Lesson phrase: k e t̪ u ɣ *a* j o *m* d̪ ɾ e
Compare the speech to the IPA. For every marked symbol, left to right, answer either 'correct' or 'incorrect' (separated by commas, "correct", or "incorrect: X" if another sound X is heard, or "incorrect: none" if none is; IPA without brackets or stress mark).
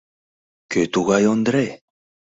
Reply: correct, incorrect: n